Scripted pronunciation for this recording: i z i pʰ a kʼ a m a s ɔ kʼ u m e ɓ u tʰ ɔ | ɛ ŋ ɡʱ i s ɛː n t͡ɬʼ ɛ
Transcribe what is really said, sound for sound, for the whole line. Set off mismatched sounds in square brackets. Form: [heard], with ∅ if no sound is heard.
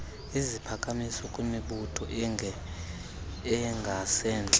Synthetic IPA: i z i pʰ a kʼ a m [i] s ɔ kʼ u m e ɓ u tʰ ɔ | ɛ ŋ ɡʱ [a] s ɛː n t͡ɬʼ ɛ